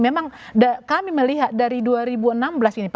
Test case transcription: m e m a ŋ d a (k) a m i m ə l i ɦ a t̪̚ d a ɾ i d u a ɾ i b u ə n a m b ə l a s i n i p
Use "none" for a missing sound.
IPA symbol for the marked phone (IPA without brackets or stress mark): k